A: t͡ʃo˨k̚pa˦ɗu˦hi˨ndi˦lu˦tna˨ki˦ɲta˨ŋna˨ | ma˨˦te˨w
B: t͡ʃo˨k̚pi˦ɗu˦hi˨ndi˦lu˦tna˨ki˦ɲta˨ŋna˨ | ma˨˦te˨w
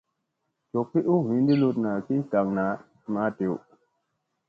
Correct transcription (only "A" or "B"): B